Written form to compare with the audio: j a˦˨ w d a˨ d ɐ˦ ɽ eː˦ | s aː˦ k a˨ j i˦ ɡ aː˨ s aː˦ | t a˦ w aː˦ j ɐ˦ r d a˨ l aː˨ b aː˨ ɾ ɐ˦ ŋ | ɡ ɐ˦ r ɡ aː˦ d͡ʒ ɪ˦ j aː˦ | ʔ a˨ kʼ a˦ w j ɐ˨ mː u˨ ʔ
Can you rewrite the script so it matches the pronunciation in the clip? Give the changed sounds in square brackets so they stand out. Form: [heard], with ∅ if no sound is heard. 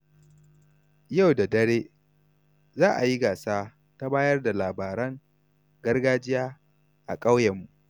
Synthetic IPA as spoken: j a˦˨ w d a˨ d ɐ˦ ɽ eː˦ | [z] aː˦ [ʔ] a˨ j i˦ ɡ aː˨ s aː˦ | t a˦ [b] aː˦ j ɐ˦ r d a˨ l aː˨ b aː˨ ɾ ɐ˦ ŋ | ɡ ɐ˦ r ɡ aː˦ d͡ʒ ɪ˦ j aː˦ | ʔ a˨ kʼ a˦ w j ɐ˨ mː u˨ ʔ